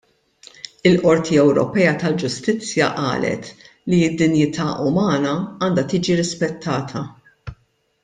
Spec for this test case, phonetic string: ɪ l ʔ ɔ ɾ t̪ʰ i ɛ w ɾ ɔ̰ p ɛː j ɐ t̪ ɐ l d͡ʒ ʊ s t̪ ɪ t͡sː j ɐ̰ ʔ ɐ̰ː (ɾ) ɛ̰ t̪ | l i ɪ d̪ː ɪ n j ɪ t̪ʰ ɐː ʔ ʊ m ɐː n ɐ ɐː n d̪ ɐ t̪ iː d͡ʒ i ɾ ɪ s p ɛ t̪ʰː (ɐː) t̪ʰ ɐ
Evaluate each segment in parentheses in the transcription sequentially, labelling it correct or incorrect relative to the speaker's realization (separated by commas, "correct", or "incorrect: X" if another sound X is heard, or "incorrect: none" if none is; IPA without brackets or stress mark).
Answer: incorrect: l, correct